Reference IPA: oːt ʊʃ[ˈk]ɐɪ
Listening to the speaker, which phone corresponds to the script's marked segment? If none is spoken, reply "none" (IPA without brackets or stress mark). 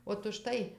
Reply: t